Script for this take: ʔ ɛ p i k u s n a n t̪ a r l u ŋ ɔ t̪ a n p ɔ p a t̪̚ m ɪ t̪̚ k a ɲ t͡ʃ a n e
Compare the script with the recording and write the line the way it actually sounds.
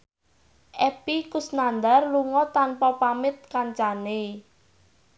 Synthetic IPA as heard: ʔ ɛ p i k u s n a n d̪ a r l u ŋ ɔ t̪ a n p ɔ p a m ɪ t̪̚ k a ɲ t͡ʃ a n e